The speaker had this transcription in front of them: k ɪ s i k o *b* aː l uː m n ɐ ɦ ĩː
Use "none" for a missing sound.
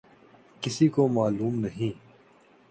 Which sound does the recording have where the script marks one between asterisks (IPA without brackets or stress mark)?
m